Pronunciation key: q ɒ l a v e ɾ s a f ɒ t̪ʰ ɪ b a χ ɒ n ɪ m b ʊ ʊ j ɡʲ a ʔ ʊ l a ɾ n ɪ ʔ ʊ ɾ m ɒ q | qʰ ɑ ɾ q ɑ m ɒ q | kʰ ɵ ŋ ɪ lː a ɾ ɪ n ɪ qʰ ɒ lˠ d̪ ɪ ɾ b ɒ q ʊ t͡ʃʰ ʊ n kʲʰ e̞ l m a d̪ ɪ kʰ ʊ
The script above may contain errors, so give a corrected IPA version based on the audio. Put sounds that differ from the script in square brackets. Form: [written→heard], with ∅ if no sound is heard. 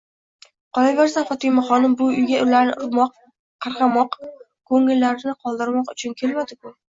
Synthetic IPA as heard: q ɒ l a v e ɾ s a f ɒ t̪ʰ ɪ [b→m] a χ ɒ n ɪ m b ʊ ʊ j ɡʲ a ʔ ʊ l a ɾ n ɪ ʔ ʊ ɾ m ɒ q | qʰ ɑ ɾ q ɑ m ɒ q | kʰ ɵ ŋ ɪ lː a ɾ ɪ n ɪ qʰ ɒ lˠ d̪ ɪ ɾ [b→m] ɒ q ʊ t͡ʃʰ ʊ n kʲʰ e̞ l m a d̪ ɪ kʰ ʊ